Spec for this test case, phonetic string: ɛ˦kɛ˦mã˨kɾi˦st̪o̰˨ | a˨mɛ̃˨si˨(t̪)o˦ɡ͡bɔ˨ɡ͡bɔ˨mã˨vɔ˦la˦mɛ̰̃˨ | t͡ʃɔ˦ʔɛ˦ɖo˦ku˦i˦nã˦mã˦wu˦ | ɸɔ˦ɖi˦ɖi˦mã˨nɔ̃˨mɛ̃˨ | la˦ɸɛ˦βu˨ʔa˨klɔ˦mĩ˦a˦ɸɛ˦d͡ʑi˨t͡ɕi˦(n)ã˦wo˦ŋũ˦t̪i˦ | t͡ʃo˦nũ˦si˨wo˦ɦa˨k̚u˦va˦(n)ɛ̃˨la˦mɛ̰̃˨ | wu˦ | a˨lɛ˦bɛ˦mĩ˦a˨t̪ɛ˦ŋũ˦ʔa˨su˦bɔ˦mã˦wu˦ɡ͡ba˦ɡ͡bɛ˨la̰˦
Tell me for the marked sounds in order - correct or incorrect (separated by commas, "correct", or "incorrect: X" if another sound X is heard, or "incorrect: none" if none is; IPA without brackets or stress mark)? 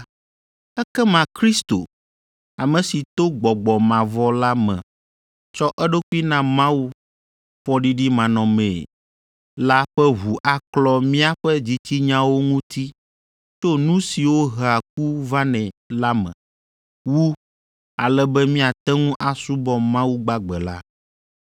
correct, incorrect: ɲ, correct